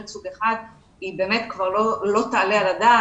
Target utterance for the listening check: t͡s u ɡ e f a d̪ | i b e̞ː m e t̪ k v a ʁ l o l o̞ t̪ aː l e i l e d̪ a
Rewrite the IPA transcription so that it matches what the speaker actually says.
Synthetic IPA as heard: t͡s u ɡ e χ a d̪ | i b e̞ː m e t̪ k v a ʁ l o l o̞ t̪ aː l e a l a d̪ a